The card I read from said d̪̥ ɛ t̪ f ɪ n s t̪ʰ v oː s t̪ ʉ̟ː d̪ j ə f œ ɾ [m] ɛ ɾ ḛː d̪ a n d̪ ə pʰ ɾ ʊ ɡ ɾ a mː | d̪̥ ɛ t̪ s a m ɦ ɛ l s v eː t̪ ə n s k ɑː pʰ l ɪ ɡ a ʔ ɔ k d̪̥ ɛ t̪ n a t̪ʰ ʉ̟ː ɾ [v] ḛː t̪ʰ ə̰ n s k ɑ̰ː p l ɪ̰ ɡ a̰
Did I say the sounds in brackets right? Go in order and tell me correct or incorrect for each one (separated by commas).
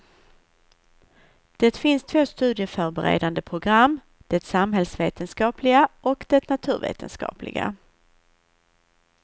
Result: incorrect, correct